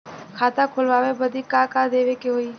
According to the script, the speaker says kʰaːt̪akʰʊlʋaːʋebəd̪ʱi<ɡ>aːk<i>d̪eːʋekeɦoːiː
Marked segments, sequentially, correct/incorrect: incorrect: k, incorrect: a

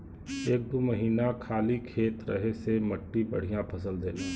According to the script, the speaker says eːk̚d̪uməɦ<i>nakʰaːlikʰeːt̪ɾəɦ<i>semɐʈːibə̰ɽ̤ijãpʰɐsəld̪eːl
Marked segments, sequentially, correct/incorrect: incorrect: iː, incorrect: e

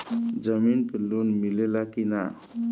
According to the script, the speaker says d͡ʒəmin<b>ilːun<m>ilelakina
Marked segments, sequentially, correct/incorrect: incorrect: p, correct

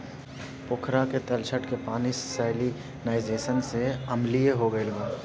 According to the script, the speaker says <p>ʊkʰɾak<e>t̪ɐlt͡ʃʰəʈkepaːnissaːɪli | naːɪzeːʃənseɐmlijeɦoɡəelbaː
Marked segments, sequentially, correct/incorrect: correct, correct

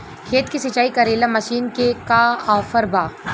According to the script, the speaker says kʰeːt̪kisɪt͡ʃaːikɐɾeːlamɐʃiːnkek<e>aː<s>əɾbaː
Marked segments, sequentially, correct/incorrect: incorrect: a, incorrect: f

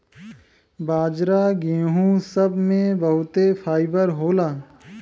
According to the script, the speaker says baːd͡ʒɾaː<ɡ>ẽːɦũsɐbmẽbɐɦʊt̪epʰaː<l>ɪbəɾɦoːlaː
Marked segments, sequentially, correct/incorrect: correct, incorrect: none

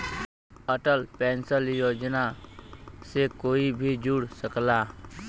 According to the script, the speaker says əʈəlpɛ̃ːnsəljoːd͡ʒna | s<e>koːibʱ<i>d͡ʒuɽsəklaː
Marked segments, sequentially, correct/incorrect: correct, correct

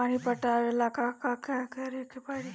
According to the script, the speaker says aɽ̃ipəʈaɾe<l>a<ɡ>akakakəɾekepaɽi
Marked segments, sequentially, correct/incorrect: correct, incorrect: k

